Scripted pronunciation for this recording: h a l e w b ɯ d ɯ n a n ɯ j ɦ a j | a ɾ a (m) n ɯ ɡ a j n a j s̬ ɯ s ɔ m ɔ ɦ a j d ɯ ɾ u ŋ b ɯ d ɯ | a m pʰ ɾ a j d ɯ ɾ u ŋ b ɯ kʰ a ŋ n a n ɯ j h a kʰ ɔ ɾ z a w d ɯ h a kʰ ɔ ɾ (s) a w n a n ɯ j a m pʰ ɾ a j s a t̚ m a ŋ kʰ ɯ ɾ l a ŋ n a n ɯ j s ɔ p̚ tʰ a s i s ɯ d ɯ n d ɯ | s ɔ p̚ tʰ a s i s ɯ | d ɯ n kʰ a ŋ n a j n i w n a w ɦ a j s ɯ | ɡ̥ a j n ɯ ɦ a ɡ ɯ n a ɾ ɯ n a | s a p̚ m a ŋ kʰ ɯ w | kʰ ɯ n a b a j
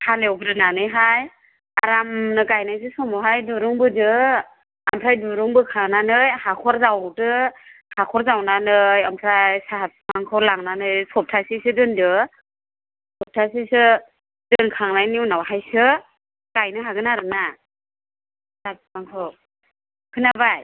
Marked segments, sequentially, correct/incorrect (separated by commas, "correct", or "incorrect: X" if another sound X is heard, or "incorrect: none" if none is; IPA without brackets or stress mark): correct, incorrect: z